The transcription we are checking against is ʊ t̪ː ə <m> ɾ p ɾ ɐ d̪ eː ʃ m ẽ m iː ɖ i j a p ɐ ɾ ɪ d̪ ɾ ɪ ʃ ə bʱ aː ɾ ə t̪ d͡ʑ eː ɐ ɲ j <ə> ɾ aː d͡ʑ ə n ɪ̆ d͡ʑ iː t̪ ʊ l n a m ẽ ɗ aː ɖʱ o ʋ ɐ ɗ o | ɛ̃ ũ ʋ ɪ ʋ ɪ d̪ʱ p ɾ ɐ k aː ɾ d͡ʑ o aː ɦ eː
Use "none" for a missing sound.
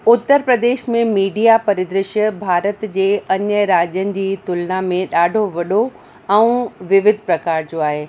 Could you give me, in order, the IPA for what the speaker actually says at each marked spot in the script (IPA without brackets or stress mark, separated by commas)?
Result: none, ə